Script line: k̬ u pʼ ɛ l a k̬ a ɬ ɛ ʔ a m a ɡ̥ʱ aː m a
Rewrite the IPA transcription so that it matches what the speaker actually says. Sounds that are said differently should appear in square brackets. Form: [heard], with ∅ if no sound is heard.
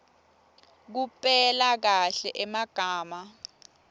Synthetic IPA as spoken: k̬ u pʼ ɛ l a k̬ a ɬ ɛ ʔ [ɛ] m a ɡ̥ʱ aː m a